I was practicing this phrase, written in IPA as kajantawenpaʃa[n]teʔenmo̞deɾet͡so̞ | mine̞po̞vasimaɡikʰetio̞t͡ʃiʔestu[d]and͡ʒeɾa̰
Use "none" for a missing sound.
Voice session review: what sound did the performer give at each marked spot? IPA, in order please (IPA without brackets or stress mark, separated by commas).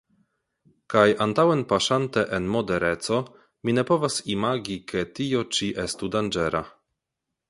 n, d